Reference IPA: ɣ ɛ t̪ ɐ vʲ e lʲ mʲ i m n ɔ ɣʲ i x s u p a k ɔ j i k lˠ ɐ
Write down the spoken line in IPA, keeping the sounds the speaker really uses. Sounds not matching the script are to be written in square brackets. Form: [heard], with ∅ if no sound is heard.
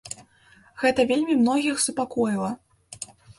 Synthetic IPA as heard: ɣ ɛ t̪ ɐ vʲ e lʲ mʲ i m n ɔ ɣʲ i x s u p a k ɔ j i [∅] lˠ ɐ